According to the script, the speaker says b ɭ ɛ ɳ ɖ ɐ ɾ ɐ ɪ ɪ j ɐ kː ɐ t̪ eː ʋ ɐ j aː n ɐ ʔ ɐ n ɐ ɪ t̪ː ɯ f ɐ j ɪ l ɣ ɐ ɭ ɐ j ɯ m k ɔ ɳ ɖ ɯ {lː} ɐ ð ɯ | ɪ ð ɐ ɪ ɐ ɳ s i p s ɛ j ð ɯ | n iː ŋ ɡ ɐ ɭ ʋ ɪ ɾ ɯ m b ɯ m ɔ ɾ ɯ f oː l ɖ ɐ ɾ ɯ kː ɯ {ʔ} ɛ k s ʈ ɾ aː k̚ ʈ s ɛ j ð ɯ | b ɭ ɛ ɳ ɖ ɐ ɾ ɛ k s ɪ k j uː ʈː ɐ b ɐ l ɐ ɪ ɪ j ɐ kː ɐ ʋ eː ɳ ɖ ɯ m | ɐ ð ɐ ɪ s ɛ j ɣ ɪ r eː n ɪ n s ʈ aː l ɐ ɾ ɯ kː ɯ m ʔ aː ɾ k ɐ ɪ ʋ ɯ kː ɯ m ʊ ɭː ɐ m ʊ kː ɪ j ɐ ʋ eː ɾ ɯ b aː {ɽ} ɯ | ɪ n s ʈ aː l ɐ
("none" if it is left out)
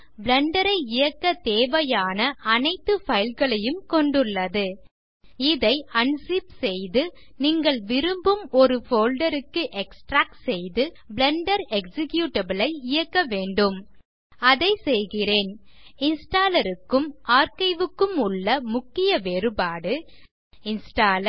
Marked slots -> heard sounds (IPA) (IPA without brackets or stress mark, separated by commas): ɭː, ʔ, ɽ